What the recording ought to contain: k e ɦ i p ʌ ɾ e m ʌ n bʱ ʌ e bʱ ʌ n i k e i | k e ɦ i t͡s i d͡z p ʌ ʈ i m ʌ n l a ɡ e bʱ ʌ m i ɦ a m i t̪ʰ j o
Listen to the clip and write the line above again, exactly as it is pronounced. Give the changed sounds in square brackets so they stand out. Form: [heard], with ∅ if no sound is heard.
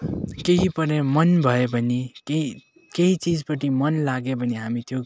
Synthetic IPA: k e ɦ i p ʌ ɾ e m ʌ n bʱ ʌ e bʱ ʌ n i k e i | k e ɦ i t͡s i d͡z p ʌ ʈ i m ʌ n l a ɡ e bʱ ʌ [n] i ɦ a m i t̪ʰ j o